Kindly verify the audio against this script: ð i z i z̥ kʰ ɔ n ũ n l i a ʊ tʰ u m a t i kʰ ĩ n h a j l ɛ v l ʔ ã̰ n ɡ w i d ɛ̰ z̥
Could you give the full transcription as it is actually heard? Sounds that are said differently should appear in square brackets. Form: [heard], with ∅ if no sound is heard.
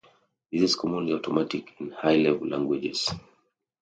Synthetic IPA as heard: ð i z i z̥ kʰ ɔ [m] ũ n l i a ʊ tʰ [ɔ] m a t i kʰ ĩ n h a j l ɛ v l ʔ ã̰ [ŋ] ɡ w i [d͡ʒ] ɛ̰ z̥